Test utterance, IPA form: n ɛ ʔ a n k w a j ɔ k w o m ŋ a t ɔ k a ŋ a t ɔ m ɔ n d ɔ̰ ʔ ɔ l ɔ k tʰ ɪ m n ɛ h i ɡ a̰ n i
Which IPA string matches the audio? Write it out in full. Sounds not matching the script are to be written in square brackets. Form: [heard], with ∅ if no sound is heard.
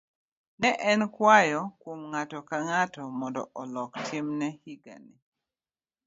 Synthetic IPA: n ɛ ʔ [ɛ] n k w a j ɔ k w o m ŋ a t ɔ k a ŋ a t ɔ m ɔ n d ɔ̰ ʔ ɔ l ɔ k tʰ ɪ m n ɛ h i ɡ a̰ n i